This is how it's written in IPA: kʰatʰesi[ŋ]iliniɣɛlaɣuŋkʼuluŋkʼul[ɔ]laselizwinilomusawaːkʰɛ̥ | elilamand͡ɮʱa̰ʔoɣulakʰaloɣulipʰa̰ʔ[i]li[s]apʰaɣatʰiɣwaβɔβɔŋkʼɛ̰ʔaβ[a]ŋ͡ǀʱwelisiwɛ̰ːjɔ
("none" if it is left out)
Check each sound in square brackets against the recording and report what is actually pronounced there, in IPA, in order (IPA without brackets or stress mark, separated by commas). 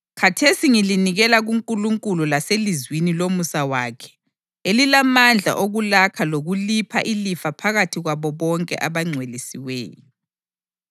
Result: ŋ, u, i, f, a